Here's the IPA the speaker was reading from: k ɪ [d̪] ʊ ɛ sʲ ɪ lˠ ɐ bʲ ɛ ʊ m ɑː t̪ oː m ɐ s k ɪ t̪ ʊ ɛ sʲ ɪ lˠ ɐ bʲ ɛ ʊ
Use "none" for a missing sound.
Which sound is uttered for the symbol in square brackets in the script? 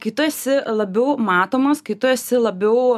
t̪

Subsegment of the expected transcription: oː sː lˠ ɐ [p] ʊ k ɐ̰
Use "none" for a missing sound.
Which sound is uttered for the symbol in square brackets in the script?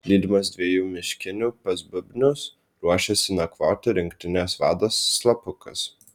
p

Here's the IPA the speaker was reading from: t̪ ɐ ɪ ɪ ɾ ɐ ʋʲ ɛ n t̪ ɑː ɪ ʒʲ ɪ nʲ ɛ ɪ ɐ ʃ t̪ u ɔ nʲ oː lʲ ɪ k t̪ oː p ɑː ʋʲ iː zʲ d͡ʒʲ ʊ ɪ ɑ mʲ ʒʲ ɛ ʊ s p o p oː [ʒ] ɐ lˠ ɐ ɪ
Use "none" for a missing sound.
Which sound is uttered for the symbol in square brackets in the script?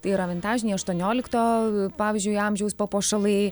ʃ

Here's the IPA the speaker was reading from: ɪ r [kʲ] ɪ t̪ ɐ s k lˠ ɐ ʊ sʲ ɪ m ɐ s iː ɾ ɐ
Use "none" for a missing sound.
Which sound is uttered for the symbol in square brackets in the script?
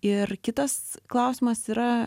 kʲ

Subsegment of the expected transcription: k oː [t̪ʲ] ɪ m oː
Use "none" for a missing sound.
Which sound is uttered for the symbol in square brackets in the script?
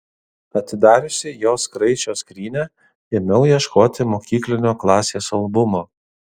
t̪ʲ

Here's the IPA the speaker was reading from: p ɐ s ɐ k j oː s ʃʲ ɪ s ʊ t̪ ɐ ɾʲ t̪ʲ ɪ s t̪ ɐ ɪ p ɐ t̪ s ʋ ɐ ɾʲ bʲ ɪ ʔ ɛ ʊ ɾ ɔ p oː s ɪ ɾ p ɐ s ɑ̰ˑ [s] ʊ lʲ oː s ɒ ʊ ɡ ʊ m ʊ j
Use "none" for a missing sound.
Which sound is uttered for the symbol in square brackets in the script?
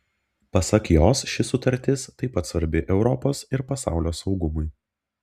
none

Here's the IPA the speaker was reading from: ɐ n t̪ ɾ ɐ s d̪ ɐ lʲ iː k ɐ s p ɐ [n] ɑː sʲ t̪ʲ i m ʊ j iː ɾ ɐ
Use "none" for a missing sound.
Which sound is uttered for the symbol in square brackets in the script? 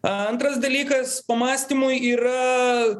m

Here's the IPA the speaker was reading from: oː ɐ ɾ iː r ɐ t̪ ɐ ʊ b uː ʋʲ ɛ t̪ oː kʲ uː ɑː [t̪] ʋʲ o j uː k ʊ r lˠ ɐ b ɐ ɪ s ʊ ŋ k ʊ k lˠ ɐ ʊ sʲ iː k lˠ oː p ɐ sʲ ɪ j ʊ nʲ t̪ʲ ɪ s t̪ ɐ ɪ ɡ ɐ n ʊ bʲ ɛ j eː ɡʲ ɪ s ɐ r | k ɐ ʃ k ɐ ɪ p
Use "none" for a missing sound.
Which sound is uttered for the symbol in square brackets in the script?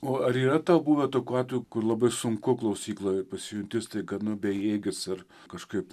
t̪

